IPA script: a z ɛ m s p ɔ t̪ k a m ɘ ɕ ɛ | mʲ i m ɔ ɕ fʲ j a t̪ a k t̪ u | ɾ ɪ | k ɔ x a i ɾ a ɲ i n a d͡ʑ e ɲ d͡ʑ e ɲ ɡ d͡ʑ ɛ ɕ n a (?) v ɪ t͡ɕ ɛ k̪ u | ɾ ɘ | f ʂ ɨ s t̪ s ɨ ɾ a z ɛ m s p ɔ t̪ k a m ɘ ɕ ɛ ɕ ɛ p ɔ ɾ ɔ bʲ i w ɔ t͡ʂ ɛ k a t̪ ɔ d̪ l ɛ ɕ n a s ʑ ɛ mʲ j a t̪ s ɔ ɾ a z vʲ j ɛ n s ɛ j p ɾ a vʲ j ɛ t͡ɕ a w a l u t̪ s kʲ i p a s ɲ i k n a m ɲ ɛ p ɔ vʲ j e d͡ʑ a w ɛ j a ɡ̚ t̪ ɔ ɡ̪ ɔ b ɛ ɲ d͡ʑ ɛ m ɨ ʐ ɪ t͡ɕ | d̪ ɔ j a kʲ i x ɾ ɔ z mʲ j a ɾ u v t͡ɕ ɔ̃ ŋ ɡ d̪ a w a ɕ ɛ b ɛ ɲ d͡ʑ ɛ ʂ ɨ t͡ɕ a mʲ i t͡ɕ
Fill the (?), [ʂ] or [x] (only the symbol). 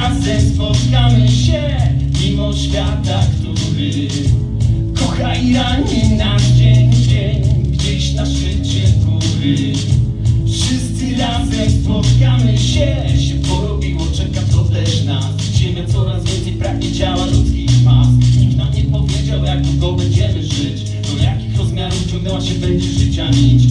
ʂ